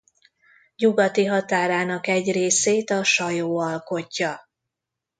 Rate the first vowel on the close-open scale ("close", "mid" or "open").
close